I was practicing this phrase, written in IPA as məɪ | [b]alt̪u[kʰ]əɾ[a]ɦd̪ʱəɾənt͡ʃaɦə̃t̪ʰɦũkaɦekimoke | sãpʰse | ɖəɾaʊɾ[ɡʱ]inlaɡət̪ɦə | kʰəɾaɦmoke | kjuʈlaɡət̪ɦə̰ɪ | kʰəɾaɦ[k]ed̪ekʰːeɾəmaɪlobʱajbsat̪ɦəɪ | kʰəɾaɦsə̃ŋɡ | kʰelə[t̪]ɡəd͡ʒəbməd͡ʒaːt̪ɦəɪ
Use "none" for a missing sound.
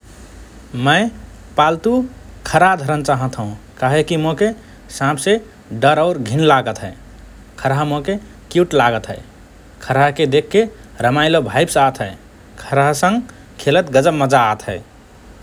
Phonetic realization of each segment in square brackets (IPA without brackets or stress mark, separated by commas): p, kʰ, a, ɡʱ, k, t̪